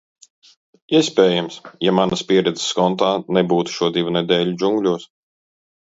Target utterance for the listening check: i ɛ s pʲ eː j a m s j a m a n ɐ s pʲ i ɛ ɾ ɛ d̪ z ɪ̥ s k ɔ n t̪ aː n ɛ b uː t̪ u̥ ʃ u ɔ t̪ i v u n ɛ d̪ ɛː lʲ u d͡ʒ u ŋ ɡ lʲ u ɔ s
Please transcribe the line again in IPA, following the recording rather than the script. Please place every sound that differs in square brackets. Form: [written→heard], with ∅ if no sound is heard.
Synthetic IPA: i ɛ s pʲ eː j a m s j a m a n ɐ s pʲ i ɛ ɾ ɛ d̪ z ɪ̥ s k ɔ n t̪ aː n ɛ b uː t̪ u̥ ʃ u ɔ [t̪→d̪] i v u n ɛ d̪ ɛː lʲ u d͡ʒ u ŋ ɡ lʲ u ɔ s